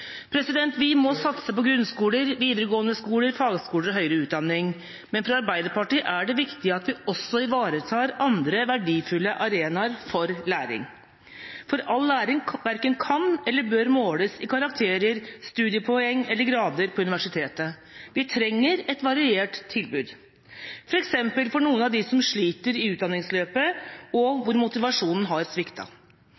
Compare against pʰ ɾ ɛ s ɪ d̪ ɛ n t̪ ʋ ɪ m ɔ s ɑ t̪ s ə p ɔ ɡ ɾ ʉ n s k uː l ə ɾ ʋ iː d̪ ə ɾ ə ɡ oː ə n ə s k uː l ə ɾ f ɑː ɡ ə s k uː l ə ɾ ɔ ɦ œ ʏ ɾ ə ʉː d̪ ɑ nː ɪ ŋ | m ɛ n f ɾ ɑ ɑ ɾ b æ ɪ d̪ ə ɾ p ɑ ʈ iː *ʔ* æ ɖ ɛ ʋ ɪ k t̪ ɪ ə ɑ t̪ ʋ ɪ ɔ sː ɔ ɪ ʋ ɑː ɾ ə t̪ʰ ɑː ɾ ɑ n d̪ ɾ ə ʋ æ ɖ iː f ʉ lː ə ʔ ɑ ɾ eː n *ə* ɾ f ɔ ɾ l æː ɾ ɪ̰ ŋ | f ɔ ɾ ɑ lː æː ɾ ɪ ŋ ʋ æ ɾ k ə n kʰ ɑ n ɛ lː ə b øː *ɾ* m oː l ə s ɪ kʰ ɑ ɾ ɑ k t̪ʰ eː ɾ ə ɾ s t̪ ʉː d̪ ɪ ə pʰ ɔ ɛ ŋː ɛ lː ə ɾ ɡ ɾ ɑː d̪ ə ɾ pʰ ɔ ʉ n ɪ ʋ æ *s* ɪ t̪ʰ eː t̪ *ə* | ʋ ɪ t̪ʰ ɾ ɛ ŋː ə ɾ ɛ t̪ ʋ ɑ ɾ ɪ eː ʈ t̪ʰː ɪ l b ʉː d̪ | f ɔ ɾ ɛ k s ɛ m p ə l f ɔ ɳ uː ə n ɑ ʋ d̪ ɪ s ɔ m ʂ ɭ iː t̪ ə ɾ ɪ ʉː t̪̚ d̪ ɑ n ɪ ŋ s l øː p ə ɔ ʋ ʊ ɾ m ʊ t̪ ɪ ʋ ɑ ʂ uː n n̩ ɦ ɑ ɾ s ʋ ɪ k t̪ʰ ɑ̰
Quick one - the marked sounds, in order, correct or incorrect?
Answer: correct, incorrect, correct, incorrect, correct

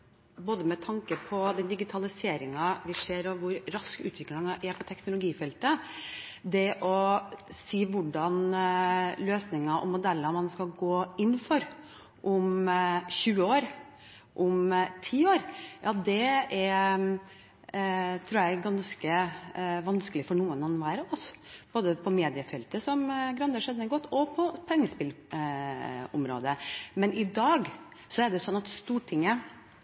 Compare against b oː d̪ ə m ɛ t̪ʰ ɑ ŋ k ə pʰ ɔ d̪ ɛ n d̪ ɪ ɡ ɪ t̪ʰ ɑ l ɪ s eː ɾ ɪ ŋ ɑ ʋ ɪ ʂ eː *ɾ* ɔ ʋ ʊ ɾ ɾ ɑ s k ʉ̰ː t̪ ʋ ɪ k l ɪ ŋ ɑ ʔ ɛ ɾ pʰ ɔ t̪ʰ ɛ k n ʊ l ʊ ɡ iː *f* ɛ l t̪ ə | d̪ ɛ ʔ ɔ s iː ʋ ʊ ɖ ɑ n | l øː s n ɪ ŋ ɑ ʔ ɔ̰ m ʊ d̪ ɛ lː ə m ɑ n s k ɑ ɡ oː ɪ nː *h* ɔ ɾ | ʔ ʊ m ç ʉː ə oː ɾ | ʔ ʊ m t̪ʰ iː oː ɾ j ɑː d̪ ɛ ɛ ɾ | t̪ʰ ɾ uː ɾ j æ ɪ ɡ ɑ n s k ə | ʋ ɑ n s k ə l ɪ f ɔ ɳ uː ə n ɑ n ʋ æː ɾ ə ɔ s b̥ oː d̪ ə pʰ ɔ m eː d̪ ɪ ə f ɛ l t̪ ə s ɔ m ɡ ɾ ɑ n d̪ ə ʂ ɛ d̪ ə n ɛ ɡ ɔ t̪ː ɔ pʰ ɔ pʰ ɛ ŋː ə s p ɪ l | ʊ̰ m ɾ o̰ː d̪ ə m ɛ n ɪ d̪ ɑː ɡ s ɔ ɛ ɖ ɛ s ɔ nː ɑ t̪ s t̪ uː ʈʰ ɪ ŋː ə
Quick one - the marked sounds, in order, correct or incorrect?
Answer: correct, correct, incorrect

